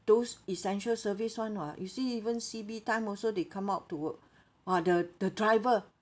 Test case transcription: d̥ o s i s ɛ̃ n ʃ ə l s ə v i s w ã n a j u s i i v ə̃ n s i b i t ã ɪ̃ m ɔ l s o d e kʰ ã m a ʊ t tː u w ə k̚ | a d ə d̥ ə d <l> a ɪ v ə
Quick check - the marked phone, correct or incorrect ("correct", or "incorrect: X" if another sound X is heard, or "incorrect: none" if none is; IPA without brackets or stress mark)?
incorrect: ɹ